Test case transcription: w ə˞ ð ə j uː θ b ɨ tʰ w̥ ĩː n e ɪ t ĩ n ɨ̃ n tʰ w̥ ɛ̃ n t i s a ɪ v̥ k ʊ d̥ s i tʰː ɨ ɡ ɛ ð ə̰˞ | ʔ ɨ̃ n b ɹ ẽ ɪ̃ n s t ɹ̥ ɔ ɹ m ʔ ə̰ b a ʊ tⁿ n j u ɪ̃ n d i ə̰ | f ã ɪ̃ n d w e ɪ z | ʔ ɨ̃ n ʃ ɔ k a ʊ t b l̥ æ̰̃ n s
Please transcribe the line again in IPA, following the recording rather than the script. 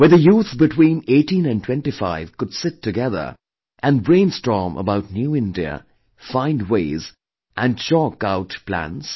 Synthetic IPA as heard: w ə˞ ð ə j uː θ b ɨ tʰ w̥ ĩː n e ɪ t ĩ n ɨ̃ n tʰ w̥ ɛ̃ n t i f a ɪ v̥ k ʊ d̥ s ɪ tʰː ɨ ɡ ɛ ð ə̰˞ | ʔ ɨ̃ n b ɹ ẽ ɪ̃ n s t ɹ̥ ɔ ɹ m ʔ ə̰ b a ʊ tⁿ n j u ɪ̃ n d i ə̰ | f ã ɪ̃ n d w e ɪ z | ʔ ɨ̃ n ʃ ɔ k a ʊ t p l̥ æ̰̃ n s